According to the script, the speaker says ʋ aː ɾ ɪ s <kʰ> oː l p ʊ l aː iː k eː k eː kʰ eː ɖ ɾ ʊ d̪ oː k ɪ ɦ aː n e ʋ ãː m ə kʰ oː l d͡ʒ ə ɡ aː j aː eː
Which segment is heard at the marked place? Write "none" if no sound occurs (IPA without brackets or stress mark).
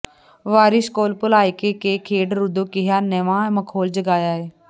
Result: k